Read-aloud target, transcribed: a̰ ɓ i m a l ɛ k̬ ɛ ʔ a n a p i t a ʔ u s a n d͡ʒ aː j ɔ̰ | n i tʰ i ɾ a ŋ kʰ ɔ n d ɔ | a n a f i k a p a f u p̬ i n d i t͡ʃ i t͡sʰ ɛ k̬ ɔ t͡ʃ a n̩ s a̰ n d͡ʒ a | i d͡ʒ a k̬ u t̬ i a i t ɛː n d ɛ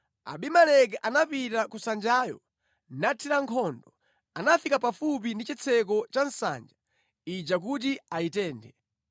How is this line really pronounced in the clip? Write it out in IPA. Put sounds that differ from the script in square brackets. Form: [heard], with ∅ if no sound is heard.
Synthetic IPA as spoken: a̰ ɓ i m a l ɛ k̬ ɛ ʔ a n a p i t a [k] u s a n d͡ʒ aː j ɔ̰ | n [a] tʰ i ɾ a ŋ kʰ ɔ n d ɔ | a n a f i k a p a f u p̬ i n d i t͡ʃ i t͡sʰ ɛ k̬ ɔ t͡ʃ a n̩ s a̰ n d͡ʒ a | i d͡ʒ a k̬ u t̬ i a i t ɛː n d ɛ